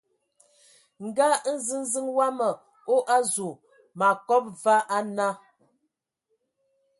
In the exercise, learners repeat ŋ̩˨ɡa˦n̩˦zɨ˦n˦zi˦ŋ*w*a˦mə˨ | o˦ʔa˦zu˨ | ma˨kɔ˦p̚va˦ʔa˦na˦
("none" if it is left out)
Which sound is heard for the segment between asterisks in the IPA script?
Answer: w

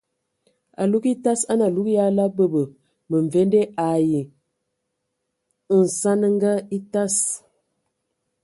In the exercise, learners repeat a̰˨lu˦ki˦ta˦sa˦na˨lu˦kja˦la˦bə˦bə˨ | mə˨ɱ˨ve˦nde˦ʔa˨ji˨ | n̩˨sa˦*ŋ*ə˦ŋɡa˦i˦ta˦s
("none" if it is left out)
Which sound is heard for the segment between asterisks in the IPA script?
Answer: n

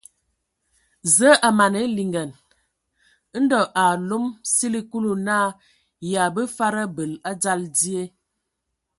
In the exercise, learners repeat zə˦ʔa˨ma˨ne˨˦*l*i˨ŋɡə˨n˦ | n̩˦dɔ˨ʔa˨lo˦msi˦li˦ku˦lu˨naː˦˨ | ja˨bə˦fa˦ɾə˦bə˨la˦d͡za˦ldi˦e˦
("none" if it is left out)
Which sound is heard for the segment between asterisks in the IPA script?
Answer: l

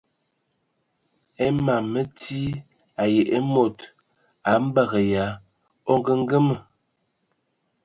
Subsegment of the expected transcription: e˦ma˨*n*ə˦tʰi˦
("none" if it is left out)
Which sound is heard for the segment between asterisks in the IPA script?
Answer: m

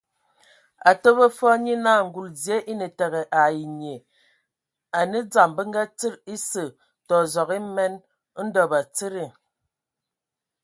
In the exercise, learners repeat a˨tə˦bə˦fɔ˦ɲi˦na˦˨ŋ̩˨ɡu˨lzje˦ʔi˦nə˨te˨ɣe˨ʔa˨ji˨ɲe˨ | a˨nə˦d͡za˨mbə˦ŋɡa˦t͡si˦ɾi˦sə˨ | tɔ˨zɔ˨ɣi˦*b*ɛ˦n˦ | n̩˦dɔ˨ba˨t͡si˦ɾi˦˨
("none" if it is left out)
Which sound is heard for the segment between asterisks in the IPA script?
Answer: m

